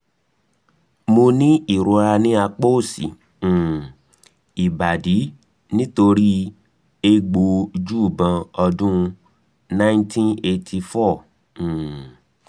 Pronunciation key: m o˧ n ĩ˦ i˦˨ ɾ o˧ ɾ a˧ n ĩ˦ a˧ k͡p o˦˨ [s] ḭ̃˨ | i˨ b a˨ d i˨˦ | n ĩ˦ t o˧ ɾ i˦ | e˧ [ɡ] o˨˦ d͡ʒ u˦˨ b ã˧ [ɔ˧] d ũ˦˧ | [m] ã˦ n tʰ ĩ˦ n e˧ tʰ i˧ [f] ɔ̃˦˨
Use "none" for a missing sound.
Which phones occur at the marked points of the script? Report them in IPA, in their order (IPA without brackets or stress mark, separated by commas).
s, ɡ͡b, ɔ˧, n, f